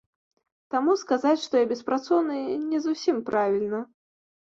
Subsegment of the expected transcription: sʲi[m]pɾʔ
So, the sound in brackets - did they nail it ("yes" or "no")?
yes